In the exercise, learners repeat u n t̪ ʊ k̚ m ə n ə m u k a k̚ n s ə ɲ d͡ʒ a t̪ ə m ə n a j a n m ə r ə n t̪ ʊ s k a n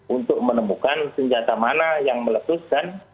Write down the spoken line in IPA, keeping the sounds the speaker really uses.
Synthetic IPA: u n t̪ ʊ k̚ m ə n ə m u k a n s ə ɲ d͡ʒ a t̪ a m a n a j a ŋ m ə l ə t̪ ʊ s k a n